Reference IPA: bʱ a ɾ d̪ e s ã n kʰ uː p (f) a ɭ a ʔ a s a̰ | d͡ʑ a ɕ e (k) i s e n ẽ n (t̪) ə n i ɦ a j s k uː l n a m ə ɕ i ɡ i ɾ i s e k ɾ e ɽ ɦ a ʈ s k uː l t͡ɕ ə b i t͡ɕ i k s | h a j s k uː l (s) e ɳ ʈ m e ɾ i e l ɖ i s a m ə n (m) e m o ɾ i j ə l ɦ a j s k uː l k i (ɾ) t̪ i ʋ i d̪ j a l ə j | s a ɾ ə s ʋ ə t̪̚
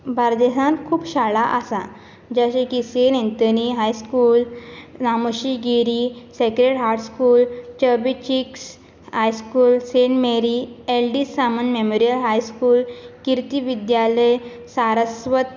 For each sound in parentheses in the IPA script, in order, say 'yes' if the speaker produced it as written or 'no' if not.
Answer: no, yes, yes, yes, yes, yes

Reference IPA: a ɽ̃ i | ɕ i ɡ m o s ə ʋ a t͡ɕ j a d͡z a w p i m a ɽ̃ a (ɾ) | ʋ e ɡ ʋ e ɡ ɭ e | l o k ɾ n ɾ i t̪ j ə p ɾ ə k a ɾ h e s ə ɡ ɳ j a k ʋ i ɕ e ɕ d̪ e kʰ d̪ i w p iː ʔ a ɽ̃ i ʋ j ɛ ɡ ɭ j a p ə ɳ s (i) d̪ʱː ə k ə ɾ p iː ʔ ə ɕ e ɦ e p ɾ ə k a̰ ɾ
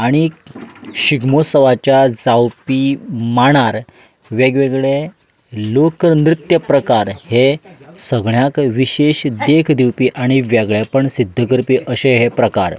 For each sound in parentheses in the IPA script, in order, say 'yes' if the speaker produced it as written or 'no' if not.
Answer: yes, yes

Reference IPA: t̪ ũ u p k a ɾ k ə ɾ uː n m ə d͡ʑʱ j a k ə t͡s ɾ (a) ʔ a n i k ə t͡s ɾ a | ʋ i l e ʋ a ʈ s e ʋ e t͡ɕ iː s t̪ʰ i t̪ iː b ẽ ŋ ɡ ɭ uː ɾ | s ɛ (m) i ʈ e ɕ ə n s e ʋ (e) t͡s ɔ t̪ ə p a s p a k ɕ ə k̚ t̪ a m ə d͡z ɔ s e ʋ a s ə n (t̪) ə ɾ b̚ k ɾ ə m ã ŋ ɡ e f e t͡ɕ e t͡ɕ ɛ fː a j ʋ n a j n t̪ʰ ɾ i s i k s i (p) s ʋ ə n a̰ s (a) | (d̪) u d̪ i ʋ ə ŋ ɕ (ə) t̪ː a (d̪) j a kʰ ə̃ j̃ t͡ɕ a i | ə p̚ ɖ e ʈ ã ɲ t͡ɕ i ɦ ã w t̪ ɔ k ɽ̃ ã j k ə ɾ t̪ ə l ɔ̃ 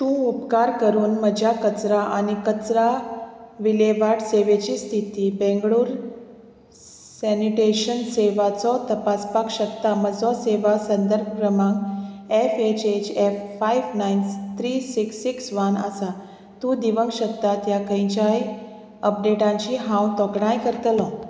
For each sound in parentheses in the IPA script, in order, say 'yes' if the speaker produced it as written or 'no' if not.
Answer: yes, no, no, no, no, yes, no, yes, no

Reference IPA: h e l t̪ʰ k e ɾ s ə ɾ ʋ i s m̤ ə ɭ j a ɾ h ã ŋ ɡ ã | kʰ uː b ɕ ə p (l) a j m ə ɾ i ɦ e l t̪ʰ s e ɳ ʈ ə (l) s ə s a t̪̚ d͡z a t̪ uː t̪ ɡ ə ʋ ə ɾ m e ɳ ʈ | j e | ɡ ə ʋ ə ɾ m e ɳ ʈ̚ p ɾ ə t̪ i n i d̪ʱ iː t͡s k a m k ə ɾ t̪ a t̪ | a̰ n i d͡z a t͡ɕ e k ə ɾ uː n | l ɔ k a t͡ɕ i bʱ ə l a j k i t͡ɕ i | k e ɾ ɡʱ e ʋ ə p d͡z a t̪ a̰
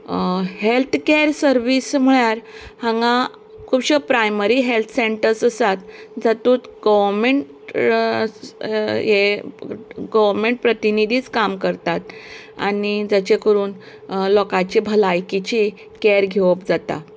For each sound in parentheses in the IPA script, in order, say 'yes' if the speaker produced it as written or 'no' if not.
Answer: no, no

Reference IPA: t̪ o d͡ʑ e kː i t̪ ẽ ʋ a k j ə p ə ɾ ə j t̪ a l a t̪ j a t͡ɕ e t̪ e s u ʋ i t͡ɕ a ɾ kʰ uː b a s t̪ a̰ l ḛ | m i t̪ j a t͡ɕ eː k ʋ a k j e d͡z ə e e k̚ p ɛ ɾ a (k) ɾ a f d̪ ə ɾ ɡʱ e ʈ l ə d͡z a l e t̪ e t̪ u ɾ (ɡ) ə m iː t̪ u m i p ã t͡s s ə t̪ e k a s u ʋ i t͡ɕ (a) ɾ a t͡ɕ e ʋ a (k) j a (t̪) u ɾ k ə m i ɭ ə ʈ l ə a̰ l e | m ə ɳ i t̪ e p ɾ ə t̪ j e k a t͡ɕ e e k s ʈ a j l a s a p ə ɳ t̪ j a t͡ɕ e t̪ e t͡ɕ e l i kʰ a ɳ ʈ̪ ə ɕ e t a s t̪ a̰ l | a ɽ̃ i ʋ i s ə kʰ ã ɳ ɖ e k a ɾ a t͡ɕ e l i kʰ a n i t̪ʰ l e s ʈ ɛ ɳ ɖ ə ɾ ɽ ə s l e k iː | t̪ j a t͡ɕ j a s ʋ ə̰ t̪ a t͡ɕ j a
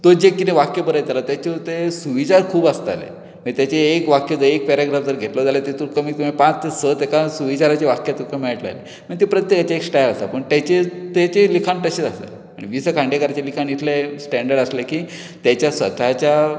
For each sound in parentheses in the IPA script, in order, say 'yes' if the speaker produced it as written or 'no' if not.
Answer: no, no, yes, yes, yes

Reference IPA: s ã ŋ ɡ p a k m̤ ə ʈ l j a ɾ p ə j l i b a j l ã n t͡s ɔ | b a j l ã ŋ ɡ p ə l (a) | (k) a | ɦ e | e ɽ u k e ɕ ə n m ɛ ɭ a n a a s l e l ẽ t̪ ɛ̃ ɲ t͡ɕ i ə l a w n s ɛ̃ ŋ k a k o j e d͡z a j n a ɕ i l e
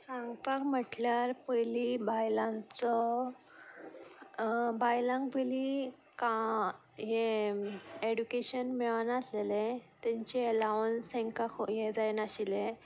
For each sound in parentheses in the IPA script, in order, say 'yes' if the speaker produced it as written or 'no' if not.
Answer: no, yes

